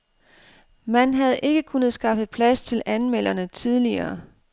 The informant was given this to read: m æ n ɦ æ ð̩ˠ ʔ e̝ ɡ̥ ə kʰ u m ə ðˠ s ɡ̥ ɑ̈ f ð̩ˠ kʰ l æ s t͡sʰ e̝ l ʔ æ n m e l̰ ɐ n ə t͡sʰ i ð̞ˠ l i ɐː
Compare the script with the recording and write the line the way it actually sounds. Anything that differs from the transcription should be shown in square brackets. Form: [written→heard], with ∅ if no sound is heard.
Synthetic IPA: m æ n ɦ æ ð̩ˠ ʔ e̝ ɡ̥ ə kʰ u [m→n] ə ðˠ s ɡ̥ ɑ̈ f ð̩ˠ [kʰ→pʰ] l æ s t͡sʰ e̝ l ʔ æ n m e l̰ ɐ n ə t͡sʰ i ð̞ˠ l i ɐː